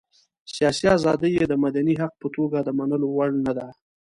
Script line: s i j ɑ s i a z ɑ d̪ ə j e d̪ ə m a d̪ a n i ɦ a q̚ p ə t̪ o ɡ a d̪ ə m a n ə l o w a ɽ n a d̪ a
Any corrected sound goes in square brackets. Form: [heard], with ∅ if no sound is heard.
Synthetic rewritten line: s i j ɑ s i a z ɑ d̪ ə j e d̪ ə m a d̪ a n i ɦ a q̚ p ə t̪ o ɡ a d̪ ə m a n ə l o w a ɽ n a d̪ a

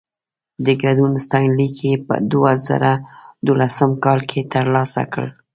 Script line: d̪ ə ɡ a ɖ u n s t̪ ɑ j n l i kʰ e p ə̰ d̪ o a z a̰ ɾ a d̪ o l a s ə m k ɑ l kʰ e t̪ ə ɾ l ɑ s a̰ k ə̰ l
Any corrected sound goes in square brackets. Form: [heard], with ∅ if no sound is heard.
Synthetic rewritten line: d̪ ə ɡ a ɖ u n s t̪ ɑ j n l i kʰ e p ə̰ d̪ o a z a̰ ɾ a d̪ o l a s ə m k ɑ l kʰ e t̪ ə ɾ l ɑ s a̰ k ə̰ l

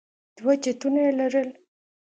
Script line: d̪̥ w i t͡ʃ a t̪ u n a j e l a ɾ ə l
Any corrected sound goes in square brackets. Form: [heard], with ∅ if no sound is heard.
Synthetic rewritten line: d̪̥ w [a] t͡ʃ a t̪ u n a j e l a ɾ ə l

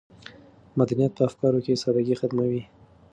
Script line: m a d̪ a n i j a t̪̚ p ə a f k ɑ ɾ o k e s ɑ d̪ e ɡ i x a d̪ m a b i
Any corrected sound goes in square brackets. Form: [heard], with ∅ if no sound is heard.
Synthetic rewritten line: m a d̪ a n i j a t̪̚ p ə a f k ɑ ɾ o k e s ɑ d̪ [a] ɡ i x a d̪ m a [w] i

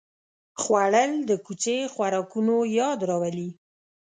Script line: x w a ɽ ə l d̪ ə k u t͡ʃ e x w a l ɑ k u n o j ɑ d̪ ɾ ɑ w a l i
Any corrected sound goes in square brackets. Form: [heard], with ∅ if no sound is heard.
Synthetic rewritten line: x w a ɽ ə l d̪ ə k u t͡ʃ e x w a [ɾ] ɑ k u n o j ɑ d̪ ɾ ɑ w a l i

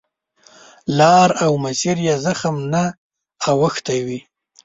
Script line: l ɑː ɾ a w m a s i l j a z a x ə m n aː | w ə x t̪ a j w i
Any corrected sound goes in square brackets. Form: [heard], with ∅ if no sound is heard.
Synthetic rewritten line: l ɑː ɾ a w m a s i [ɾ] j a z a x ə m n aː | w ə x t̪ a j w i

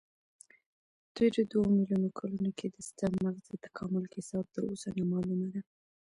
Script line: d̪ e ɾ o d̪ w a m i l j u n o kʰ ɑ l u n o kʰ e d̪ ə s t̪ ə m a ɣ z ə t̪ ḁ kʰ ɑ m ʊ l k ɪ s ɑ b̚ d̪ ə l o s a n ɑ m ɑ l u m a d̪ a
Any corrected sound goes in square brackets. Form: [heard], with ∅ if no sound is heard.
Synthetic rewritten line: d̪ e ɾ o d̪ w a m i l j u n o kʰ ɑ l u n o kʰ e d̪ ə s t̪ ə m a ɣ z ə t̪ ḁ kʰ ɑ m ʊ l k ɪ s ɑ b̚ [t̪] ə [ɾ] o s a n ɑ m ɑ l u m a d̪ a

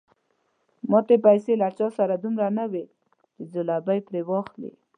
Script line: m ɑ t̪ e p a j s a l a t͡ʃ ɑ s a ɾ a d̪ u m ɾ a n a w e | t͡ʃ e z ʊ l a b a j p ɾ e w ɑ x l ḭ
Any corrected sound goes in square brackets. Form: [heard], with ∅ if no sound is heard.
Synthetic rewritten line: m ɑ t̪ e p a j s [e] l a t͡ʃ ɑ s a ɾ a d̪ u m ɾ a n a w e | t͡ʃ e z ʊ l a b a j p ɾ e w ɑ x l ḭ

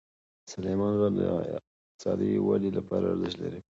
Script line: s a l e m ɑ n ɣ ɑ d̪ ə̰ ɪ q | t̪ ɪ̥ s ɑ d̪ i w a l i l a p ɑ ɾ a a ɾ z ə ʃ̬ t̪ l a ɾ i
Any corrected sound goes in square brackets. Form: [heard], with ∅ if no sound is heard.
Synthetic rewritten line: s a l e m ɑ n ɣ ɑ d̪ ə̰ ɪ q | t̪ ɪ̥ s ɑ d̪ i w a l i l a p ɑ ɾ a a ɾ z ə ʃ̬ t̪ l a ɾ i

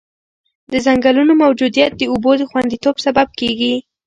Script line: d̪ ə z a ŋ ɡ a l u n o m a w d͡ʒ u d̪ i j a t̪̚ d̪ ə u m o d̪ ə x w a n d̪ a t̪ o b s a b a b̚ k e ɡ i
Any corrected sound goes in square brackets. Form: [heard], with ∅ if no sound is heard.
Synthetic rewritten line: d̪ ə z a ŋ ɡ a l u n o m a w d͡ʒ u d̪ i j a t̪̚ d̪ ə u [b] o d̪ ə x w a n d̪ [i] t̪ o b s a b a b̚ k e ɡ i

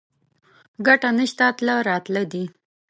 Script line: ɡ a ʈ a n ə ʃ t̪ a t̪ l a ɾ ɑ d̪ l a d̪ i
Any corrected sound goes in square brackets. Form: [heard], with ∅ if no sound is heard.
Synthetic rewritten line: ɡ a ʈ a n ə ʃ t̪ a t̪ l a ɾ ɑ [t̪] l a d̪ i

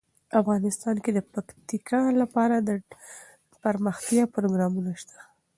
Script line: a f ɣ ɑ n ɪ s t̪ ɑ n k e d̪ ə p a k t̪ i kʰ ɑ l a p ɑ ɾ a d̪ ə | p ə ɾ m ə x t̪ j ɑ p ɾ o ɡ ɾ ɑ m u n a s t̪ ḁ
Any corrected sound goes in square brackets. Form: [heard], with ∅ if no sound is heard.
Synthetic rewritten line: a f ɣ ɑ n ɪ s t̪ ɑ n k e d̪ ə p a k t̪ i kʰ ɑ l a p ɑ ɾ a d̪ ə | p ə ɾ m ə x t̪ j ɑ p ɾ o ɡ ɾ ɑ m u n a [ʃ] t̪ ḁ

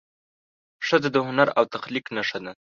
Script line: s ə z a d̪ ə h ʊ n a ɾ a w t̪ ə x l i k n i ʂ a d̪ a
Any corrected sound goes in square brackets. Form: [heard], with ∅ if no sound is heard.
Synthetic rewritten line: [ʂ] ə z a d̪ ə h ʊ n a ɾ a w t̪ [a] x l i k n [a] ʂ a d̪ a

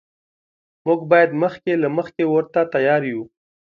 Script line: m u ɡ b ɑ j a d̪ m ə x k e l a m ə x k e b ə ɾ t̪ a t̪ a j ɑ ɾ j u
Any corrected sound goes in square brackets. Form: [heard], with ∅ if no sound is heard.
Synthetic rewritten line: m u ɡ b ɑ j a d̪ m ə x k e l a m ə x k e [w] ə ɾ t̪ a t̪ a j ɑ ɾ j u

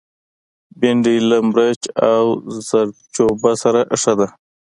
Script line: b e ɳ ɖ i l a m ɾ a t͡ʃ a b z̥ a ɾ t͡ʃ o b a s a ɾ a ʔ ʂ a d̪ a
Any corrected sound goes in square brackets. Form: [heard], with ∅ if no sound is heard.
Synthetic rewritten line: b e ɳ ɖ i l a m ɾ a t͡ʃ a [w] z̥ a ɾ t͡ʃ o b a s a ɾ a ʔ ʂ a d̪ a

